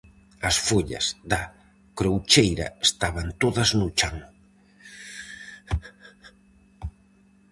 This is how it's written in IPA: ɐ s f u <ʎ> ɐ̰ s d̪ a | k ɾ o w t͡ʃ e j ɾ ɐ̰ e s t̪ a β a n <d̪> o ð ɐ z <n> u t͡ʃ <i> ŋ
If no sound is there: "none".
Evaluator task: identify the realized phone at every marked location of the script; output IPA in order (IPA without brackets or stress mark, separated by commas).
ʎ, t̪, n, a